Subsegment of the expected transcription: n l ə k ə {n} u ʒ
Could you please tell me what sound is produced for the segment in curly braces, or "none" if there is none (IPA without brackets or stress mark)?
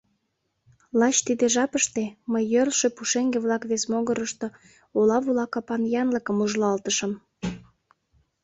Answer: m